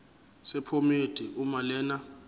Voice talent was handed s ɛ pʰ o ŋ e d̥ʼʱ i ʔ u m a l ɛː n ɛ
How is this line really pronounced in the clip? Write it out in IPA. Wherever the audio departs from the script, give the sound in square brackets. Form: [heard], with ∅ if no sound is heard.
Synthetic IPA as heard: s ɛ pʰ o [m] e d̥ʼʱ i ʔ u m a l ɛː n [a]